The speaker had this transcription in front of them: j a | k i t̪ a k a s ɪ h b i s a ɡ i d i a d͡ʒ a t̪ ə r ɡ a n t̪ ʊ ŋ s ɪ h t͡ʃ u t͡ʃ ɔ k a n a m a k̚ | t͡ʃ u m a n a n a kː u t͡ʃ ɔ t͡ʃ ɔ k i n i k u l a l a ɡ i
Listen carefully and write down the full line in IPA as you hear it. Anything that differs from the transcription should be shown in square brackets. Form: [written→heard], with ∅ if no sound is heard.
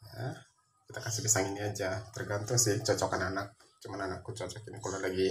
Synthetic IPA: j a | k i t̪ a k a s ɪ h b i s a [ɡ→ŋ] i [d→n] i a d͡ʒ a t̪ ə r ɡ a n t̪ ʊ ŋ s ɪ h t͡ʃ [u→ɔ] t͡ʃ ɔ k a n a [m→n] a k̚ | t͡ʃ u m a n a n a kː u t͡ʃ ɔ t͡ʃ ɔ k i n i k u l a l a ɡ i